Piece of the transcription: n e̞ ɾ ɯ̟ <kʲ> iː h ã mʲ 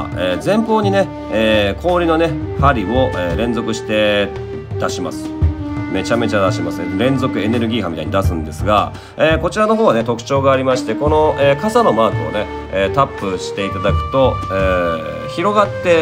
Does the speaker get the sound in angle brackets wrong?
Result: yes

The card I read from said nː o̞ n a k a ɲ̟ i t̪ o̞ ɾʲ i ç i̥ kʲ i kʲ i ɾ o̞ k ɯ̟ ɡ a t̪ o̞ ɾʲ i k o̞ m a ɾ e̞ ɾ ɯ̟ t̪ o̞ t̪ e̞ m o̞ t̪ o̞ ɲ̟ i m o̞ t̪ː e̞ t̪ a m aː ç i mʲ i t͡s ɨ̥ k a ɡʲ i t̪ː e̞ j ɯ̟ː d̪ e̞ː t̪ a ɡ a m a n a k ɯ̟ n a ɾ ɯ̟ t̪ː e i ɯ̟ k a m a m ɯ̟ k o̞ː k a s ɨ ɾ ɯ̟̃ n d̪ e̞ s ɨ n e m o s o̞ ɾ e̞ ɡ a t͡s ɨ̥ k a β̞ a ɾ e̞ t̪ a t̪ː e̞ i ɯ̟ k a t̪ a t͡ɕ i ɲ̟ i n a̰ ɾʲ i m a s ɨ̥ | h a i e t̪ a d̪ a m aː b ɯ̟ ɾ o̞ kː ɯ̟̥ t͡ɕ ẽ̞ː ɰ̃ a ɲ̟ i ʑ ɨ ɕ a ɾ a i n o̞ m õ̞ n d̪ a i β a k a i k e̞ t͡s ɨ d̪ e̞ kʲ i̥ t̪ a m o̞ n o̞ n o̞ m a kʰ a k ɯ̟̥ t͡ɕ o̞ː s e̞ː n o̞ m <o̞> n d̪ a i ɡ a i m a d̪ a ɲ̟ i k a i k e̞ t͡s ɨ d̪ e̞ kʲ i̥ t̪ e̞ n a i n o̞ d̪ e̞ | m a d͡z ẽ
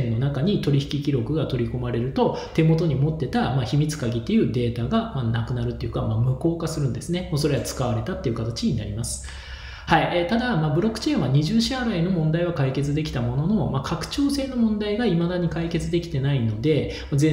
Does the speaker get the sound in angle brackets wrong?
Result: yes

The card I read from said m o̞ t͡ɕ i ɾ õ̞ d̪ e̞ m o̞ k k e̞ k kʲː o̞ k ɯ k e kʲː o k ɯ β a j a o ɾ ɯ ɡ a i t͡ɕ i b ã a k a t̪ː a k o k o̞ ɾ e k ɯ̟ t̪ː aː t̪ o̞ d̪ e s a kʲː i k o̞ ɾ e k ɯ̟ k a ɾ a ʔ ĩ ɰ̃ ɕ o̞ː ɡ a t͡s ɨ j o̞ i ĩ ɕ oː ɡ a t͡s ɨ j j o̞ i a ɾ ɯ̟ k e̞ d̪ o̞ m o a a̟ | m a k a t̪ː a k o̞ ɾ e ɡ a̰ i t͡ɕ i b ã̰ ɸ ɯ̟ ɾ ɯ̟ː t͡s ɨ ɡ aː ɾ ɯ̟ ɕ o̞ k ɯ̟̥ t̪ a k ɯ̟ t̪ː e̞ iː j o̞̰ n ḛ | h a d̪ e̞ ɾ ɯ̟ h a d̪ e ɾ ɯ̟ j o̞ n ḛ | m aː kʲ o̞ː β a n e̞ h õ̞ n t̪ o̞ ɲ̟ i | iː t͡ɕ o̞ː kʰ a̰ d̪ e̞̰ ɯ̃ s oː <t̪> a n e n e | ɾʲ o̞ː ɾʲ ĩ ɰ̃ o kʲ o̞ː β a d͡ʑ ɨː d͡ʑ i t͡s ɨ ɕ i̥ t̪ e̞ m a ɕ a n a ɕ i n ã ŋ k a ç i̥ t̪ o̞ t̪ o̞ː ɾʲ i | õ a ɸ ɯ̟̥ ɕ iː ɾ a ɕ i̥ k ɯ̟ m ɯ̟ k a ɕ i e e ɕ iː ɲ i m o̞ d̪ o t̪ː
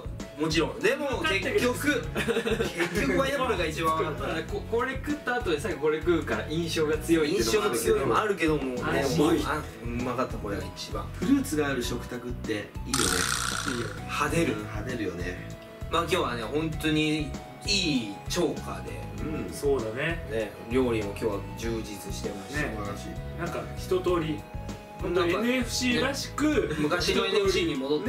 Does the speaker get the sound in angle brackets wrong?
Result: yes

